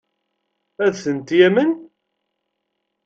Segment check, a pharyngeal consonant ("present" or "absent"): absent